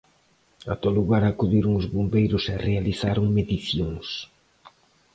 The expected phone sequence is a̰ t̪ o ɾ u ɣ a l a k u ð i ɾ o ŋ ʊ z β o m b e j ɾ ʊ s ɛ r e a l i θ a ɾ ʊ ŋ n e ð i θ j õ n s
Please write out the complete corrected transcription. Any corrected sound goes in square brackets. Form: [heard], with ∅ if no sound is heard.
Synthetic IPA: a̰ t̪ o [l] u ɣ a [ɾ] a k u ð i ɾ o ŋ ʊ z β o m b e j ɾ ʊ s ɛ r e a l i θ a ɾ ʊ ŋ [m] e ð i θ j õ [ŋ] s